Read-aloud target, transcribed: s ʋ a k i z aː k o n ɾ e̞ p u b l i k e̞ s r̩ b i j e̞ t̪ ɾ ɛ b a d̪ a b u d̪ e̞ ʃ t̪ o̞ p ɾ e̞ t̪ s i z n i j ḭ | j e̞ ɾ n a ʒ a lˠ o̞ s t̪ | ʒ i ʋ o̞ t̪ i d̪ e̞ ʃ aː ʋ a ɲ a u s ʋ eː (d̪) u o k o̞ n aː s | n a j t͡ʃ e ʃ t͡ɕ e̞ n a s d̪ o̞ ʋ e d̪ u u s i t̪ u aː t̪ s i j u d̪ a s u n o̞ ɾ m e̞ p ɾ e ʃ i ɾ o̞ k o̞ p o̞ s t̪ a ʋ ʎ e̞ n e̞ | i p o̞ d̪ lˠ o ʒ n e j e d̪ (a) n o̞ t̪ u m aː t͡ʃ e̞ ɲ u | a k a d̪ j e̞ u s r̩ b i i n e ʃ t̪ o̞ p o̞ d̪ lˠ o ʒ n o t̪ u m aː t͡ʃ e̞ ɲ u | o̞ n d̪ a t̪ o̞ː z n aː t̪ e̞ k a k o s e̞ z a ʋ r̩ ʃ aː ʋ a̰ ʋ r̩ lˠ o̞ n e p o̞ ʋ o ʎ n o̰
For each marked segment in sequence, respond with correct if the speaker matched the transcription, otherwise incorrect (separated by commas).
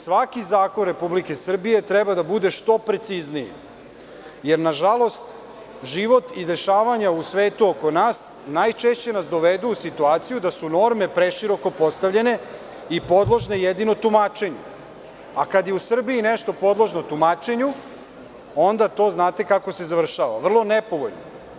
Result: incorrect, incorrect